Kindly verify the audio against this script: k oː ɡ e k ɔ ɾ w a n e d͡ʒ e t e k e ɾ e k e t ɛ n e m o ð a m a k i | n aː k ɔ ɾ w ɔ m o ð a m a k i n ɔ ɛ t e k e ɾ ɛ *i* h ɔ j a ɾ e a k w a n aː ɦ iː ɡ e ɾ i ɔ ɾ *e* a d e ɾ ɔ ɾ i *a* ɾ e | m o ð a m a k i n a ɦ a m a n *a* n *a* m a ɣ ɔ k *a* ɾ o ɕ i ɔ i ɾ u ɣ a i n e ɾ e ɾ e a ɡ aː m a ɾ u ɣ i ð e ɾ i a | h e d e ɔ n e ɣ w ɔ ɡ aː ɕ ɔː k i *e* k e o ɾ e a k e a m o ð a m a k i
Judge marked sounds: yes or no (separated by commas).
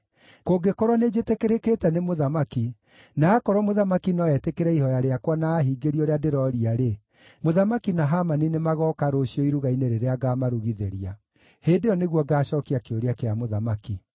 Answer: yes, yes, yes, no, no, yes, no